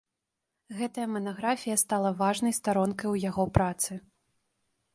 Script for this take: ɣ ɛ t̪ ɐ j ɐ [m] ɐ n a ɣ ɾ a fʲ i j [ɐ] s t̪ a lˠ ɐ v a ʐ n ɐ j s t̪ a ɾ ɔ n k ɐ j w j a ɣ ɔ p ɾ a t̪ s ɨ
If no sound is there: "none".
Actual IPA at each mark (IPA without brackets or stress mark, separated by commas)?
m, ɐ